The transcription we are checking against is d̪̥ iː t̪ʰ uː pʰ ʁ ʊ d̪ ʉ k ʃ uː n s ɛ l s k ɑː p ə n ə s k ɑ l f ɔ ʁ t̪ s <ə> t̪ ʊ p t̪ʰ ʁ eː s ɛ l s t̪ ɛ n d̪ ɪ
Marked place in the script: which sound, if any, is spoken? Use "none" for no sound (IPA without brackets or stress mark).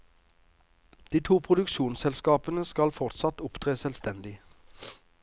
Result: ɑ